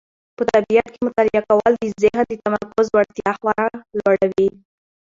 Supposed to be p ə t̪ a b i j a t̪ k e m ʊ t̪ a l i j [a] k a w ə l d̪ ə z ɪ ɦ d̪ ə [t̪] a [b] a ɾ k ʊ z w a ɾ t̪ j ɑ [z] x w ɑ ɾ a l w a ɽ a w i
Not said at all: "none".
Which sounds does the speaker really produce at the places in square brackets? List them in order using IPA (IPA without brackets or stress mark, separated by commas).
a, t̪, m, none